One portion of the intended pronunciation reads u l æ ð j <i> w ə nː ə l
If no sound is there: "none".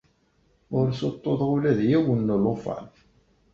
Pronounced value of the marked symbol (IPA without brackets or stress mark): æ